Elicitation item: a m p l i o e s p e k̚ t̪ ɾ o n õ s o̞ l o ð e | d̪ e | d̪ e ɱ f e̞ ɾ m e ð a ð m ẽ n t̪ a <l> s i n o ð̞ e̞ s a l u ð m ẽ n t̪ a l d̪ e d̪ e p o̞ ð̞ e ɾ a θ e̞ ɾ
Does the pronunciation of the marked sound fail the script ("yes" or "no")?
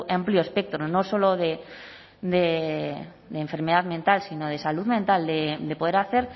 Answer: no